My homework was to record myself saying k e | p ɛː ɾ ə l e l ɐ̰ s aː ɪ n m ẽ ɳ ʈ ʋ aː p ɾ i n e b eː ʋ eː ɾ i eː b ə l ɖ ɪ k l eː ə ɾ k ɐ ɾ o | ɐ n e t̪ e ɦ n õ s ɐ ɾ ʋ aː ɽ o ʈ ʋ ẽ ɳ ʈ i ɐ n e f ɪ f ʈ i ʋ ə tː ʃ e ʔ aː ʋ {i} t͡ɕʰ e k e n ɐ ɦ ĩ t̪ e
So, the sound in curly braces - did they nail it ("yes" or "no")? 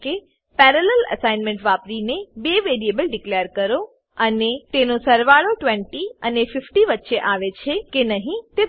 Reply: no